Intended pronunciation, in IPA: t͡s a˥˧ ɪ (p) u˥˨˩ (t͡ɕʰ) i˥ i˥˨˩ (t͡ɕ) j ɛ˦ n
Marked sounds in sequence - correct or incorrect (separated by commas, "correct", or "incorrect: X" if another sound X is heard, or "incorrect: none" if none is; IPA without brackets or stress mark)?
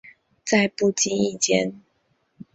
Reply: correct, incorrect: t͡ɕ, correct